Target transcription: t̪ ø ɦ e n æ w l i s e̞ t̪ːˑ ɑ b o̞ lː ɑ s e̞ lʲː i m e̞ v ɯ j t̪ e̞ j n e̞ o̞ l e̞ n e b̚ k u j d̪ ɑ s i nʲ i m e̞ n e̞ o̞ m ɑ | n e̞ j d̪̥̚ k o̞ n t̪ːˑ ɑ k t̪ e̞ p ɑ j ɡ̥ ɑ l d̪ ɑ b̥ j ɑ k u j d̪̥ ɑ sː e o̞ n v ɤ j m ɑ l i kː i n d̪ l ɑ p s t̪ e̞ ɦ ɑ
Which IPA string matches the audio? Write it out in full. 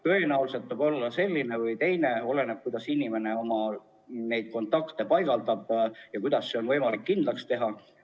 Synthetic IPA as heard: t̪ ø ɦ e n æ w l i s e̞ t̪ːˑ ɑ b o̞ lː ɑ s e̞ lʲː i n e̞ v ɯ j t̪ e̞ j n e̞ o̞ l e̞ n e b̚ k u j d̪ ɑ s i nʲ i m e̞ n e̞ o̞ m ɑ | n e̞ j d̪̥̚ k o̞ n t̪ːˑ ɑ k t̪ e̞ p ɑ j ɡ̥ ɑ l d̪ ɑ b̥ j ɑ k u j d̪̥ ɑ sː e o̞ n v ɤ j m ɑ l i kː i n d̪ l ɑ k s t̪ e̞ ɦ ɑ